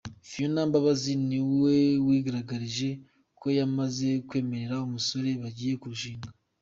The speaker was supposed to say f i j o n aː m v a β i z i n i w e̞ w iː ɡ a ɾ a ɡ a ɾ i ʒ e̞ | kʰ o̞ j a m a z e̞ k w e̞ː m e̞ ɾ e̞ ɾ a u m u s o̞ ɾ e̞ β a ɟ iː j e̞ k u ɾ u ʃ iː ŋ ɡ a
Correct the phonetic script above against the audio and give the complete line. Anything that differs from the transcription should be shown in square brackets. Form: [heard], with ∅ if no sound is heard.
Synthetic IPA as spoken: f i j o n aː m [b] a β [a] z i n i w e̞ w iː ɡ a ɾ a ɡ a ɾ i ʒ e̞ | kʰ o̞ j a m a z e̞ k w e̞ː m e̞ ɾ e̞ ɾ a u m u s o̞ ɾ e̞ β a ɟ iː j e̞ k u ɾ u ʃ iː ŋ ɡ a